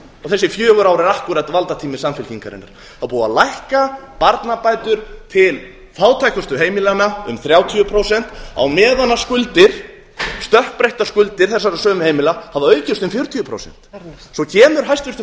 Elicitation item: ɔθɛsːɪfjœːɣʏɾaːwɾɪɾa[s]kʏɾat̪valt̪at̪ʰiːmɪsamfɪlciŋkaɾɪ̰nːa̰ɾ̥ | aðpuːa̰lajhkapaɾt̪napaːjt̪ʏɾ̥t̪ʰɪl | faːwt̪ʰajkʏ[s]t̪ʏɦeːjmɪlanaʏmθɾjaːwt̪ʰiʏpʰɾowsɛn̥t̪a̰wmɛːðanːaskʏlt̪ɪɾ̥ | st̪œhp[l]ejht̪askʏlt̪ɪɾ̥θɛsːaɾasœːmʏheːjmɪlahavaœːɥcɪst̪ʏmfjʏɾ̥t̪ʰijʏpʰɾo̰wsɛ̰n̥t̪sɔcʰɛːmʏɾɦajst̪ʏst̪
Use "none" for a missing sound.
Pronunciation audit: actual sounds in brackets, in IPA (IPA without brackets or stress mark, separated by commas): h, s, ɾ